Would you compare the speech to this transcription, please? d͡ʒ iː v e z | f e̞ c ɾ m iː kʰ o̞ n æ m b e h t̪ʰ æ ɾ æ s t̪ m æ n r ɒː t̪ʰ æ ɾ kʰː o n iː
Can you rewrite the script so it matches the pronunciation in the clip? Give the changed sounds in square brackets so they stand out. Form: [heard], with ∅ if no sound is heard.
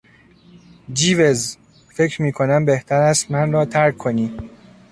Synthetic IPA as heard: d͡ʒ iː v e z | f e̞ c ɾ m iː kʰ o̞ n æ m b e h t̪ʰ æ ɾ æ s t̪ m æ n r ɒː t̪ʰ æ ɾ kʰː o n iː